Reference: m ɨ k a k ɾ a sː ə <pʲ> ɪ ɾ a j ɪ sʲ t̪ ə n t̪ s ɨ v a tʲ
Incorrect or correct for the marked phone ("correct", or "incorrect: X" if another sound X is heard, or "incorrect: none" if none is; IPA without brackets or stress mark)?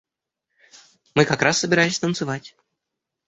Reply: incorrect: bʲ